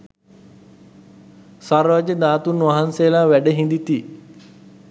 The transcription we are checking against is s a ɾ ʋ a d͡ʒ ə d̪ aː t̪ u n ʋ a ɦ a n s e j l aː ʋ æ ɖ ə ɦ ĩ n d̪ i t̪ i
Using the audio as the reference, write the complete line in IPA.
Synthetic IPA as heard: s a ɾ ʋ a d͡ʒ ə d̪ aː t̪ u n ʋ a ɦ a n s e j l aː ʋ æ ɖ ə ɦ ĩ n d̪ i t̪ i